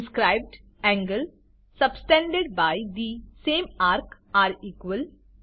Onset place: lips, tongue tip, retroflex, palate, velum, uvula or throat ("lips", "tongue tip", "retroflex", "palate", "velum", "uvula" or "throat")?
tongue tip